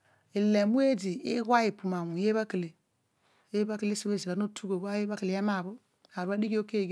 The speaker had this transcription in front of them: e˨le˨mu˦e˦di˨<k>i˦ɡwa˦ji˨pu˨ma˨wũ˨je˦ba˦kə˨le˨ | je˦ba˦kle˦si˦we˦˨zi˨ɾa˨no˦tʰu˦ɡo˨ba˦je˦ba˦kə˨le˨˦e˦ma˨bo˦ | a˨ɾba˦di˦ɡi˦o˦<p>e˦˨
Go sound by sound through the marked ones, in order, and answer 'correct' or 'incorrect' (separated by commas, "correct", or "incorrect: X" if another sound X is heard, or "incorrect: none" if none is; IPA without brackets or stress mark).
incorrect: none, incorrect: k